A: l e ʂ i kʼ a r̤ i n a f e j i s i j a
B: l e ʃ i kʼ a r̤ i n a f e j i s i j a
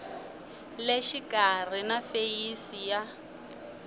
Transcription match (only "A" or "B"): B